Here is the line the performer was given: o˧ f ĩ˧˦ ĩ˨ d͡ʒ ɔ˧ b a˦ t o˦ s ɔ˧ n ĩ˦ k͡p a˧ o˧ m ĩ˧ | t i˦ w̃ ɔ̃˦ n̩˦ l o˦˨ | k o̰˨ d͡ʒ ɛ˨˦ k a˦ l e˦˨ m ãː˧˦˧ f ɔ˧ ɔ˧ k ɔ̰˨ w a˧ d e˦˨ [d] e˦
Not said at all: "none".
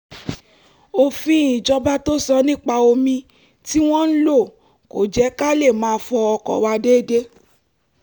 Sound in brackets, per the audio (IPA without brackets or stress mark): d